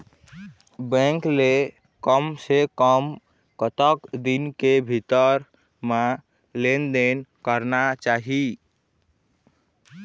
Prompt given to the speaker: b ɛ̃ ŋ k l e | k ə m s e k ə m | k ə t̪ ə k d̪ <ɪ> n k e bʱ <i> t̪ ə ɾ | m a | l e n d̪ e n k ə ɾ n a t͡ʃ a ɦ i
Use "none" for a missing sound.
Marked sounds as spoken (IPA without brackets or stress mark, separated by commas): i, i